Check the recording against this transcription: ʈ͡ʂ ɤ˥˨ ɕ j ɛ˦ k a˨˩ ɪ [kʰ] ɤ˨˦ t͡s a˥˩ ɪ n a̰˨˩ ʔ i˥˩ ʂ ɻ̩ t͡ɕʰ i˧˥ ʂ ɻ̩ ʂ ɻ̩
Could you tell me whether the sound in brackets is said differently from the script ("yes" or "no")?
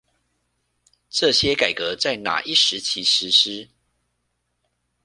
yes